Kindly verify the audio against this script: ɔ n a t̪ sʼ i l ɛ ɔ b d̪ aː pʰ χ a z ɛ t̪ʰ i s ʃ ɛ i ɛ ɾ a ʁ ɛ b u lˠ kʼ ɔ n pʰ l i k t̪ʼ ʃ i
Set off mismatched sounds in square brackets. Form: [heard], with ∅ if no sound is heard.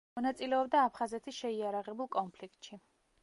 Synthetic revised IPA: ɔ n a t̪ sʼ i l ɛ ɔ b d̪ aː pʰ χ a z ɛ t̪ʰ i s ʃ ɛ i [a] ɾ a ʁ ɛ b u lˠ kʼ ɔ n pʰ l i k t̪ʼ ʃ i

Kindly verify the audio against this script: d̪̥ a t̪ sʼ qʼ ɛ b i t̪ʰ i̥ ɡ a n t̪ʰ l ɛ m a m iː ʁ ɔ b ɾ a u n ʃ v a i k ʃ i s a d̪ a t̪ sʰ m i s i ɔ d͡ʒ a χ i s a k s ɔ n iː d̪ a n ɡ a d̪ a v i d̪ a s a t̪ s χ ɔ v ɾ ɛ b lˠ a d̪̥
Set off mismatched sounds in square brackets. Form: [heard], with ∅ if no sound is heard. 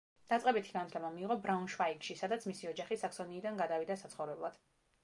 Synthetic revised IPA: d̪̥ a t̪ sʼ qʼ ɛ b i t̪ʰ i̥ ɡ a n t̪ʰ l ɛ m a m iː ʁ ɔ b ɾ a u n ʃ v a i k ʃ i s a d̪ a t̪ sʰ m i s i ɔ d͡ʒ a χ i s a k s ɔ n iː d̪ a n ɡ a d̪ a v i d̪ a s a t̪ s χ ɔ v ɾ ɛ b lˠ a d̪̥

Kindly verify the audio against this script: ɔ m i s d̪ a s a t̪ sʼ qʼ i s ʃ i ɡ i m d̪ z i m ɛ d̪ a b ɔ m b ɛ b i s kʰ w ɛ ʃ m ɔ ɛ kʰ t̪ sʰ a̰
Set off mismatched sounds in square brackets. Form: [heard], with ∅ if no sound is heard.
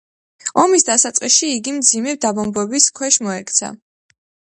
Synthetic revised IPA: ɔ m i s d̪ a s a t̪ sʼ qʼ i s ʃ [iː] ɡ i m d̪ z i m ɛ d̪ a b ɔ m b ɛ b i s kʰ w ɛ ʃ m ɔ ɛ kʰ t̪ sʰ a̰

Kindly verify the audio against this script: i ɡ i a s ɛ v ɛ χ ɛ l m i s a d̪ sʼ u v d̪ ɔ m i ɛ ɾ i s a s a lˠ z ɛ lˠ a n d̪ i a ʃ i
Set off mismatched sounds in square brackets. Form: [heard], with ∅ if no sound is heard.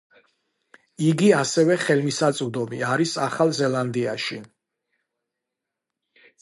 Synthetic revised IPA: i ɡ i a s ɛ v ɛ χ ɛ l m i s a [t̪] sʼ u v d̪ ɔ m i [a] ɾ i s a [χ] a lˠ z ɛ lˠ a n d̪ i a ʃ i

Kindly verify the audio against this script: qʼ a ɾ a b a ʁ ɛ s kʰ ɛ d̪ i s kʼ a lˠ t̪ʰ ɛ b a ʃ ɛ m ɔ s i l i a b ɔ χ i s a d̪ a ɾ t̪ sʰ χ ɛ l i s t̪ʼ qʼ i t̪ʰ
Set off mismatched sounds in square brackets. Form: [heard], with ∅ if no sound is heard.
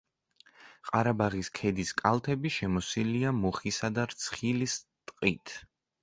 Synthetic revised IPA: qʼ a ɾ a b a ʁ [i] s kʰ ɛ d̪ i s kʼ a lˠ t̪ʰ ɛ b [i] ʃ ɛ m ɔ s i l i a [m] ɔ χ i s a d̪ a ɾ t̪ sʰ χ [i] l i s t̪ʼ qʼ i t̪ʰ

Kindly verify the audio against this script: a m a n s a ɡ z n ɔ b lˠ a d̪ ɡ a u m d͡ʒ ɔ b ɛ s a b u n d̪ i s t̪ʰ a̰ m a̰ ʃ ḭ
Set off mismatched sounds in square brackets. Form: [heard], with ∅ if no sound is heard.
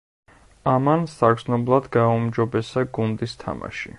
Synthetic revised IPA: a m a n s a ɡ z n ɔ b lˠ a d̪ ɡ a u m d͡ʒ ɔ b ɛ s a [ɡ] u n d̪ i s t̪ʰ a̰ m a̰ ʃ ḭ

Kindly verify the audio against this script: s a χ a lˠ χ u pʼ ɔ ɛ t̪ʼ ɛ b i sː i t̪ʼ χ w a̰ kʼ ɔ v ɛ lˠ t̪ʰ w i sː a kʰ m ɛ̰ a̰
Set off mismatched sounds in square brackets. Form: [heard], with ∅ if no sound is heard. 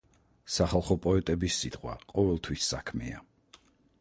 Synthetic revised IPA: s a χ a lˠ χ [ɔ] pʼ ɔ ɛ t̪ʼ ɛ b i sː i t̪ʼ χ w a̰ [qʼ] ɔ v ɛ lˠ t̪ʰ w i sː a kʰ m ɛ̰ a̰

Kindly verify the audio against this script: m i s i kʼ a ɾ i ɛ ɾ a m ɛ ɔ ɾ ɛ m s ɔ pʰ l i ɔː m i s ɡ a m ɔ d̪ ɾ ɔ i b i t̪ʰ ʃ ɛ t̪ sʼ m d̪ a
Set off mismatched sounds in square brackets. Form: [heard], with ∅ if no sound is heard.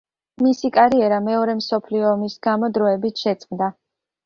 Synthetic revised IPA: m i s i kʼ a ɾ i ɛ ɾ a m ɛ ɔ ɾ ɛ m s ɔ pʰ l i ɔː m i s ɡ a m ɔ d̪ ɾ ɔ [ɛ] b i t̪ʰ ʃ ɛ t̪ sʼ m d̪ a

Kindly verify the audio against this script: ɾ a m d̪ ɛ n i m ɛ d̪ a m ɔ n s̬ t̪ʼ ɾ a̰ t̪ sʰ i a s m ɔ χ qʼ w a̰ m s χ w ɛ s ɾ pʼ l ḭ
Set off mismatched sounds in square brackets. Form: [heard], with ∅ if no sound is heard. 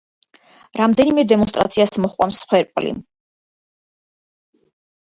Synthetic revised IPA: ɾ a m d̪ ɛ n i m ɛ d̪ [ɛ] m ɔ n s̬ t̪ʼ ɾ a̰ t̪ sʰ i a s m ɔ χ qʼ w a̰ m s χ w ɛ [∅] ɾ pʼ l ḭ

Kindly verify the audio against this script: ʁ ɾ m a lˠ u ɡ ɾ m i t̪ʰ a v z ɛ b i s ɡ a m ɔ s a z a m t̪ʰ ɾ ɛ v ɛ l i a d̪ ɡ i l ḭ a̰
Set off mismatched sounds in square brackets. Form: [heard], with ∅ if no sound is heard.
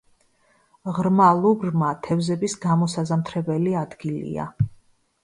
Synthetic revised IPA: ʁ ɾ m a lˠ u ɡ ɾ m [a] t̪ʰ [ɛ] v z ɛ b i s ɡ a m ɔ s a z a m t̪ʰ ɾ ɛ [b] ɛ l i a d̪ ɡ i l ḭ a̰

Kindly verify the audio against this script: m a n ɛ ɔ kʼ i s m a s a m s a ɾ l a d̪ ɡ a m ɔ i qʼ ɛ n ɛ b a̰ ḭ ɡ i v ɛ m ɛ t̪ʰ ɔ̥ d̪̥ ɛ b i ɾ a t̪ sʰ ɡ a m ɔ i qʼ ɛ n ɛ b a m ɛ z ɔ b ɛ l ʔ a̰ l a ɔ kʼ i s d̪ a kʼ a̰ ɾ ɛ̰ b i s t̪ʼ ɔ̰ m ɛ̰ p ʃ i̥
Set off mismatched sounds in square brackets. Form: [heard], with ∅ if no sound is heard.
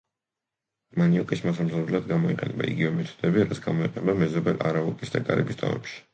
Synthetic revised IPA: m a n [i] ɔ kʼ i s m a s a m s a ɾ l a d̪ ɡ a m ɔ i qʼ ɛ n ɛ b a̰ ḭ ɡ i v ɛ m ɛ t̪ʰ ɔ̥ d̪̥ ɛ b i ɾ a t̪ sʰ ɡ a m ɔ i qʼ ɛ n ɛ b a m ɛ z ɔ b ɛ l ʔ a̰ [ɾ] a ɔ kʼ i s d̪ a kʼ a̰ ɾ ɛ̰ b i s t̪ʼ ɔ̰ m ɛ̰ p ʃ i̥

